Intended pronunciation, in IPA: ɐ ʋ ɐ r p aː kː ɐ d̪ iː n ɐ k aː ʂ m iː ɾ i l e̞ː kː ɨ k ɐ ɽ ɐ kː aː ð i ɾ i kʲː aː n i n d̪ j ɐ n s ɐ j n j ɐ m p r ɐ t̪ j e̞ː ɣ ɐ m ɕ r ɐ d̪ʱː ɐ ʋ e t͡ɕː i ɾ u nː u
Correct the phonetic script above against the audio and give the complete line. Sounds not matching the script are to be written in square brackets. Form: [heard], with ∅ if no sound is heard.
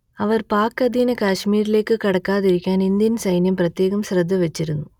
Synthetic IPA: ɐ ʋ ɐ r p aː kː ɐ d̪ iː n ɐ k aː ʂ m iː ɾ i l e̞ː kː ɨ k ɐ ɽ ɐ kː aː ð i ɾ i kʲː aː n i n d̪ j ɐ n s ɐ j n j ɐ m p r ɐ t̪ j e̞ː ɣ ɐ m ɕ r ɐ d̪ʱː ɐ ʋ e t͡ɕː i ɾ u nː u